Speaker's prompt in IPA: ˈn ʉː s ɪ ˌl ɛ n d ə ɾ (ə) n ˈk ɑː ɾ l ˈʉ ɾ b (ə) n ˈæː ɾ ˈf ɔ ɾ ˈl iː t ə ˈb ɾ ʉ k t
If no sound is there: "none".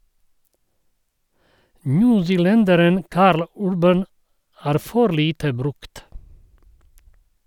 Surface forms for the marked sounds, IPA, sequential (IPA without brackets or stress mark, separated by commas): ə, ə